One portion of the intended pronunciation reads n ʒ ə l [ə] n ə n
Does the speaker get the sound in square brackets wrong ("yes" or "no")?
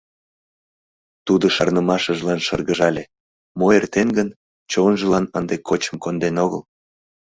yes